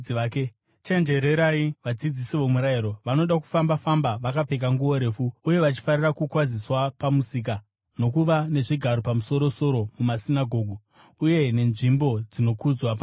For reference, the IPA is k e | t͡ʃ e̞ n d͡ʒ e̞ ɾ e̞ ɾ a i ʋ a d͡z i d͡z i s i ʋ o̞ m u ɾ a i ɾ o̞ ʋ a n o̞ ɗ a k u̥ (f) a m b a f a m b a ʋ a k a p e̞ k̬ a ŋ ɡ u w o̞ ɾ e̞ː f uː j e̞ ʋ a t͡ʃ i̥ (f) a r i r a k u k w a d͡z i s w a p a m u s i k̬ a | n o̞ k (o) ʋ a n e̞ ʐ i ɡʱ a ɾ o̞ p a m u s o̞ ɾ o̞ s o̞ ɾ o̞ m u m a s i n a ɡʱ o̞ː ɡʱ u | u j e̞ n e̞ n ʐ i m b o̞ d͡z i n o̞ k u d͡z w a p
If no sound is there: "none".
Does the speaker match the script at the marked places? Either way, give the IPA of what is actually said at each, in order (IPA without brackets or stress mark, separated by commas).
f, f, u